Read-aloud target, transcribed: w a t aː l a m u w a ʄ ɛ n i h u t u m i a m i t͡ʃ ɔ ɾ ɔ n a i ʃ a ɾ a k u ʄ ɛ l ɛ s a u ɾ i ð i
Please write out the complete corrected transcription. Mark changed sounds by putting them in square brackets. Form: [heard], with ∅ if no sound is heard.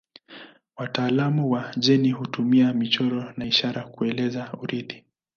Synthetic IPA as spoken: w a t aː l a m u w a ʄ ɛ n i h u t u m i a m i t͡ʃ ɔ ɾ ɔ n a i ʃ a ɾ a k u [∅] ɛ l ɛ [z] a u ɾ i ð i